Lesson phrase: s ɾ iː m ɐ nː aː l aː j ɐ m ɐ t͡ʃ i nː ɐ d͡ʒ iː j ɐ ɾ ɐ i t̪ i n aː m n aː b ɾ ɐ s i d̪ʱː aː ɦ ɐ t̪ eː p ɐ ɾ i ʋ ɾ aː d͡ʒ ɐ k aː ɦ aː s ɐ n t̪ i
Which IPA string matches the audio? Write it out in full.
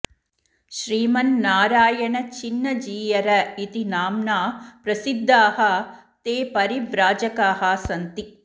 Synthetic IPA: ʃ ɾ iː m ɐ nː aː ɾ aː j ɐ ɳ ɐ t͡ʃ i nː ɐ d͡ʒ iː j ɐ ɾ ɐ i t̪ i n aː m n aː p ɾ ɐ s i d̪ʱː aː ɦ ɐ t̪ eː p ɐ ɾ i ʋ ɾ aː d͡ʒ ɐ k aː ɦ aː s ɐ n t̪ i